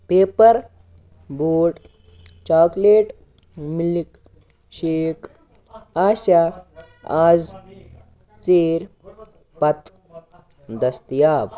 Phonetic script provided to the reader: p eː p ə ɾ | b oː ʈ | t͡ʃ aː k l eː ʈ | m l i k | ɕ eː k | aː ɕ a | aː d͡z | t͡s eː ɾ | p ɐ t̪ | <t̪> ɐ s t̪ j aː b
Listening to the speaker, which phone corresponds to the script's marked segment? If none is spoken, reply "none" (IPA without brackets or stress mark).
d̪